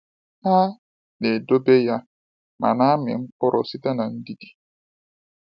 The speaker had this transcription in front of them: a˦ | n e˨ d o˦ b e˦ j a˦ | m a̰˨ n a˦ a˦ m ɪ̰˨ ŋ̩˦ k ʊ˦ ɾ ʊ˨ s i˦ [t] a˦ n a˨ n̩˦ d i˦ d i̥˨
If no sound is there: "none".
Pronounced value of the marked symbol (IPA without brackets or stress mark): t